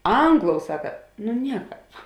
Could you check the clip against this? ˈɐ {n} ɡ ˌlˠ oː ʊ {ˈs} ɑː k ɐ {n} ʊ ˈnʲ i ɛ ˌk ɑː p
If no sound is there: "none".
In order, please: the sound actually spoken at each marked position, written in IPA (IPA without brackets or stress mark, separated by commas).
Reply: ŋ, s, n